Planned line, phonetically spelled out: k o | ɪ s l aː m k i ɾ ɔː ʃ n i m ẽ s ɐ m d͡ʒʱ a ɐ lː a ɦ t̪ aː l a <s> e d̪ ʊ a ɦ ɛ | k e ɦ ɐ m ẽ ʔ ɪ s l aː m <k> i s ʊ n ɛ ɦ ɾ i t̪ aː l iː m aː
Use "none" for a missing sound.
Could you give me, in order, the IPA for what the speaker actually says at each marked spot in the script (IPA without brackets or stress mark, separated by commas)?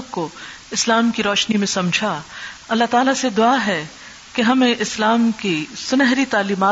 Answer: s, k